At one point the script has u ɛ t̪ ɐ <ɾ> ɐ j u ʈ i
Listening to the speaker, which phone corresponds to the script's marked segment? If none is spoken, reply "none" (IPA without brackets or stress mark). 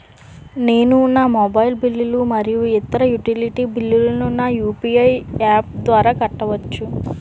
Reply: ɾ